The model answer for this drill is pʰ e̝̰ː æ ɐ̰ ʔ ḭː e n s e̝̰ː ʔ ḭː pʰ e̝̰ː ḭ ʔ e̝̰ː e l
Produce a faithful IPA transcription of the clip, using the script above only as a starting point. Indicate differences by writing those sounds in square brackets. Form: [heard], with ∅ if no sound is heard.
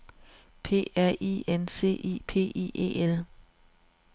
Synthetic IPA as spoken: pʰ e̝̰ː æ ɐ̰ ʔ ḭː e n s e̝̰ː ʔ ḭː pʰ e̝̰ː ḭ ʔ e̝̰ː e l